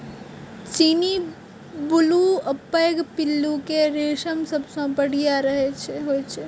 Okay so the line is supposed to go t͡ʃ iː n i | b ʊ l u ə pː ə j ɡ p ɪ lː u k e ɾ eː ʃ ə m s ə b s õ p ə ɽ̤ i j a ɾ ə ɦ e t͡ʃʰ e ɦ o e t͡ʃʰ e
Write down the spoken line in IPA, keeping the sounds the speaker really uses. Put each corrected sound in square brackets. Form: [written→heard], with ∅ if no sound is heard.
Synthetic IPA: t͡ʃ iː n i | b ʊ l u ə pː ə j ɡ p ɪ lː u k e ɾ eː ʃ ə m s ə b s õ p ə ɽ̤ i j a ɾ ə ɦ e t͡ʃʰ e ɦ o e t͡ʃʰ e